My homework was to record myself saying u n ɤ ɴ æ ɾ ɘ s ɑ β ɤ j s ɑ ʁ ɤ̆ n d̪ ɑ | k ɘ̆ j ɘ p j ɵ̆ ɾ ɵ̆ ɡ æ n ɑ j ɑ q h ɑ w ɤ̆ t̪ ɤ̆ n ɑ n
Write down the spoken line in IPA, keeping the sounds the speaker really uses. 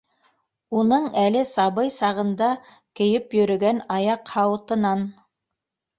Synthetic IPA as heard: u n ɤ ɴ æ l ɘ s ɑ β ɤ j s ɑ ʁ ɤ̆ n d̪ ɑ | k ɘ̆ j ɘ p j ɵ̆ ɾ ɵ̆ ɡ æ n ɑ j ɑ q h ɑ w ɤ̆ t̪ ɤ̆ n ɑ n